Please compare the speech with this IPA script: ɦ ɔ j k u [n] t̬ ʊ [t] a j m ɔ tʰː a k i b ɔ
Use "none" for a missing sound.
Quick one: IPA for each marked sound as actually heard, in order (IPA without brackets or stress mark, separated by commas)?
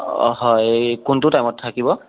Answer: n, t